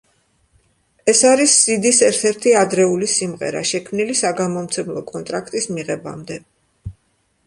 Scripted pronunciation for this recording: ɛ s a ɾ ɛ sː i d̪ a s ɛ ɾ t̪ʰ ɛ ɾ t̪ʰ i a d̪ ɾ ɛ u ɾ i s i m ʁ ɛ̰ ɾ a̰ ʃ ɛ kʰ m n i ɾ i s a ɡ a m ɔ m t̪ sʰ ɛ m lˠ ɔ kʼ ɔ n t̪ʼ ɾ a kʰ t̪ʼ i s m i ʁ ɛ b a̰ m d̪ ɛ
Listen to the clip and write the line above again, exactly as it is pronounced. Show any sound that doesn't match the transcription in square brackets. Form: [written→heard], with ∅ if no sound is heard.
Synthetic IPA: ɛ s a ɾ [ɛ→i] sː i d̪ [a→i] s ɛ ɾ t̪ʰ ɛ ɾ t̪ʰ i a d̪ ɾ ɛ u [ɾ→l] i s i m ʁ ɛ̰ ɾ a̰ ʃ ɛ kʰ m n i [ɾ→l] i s a ɡ a m ɔ m t̪ sʰ ɛ m lˠ ɔ kʼ ɔ n t̪ʼ ɾ a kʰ t̪ʼ i s m i ʁ ɛ b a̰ m d̪ ɛ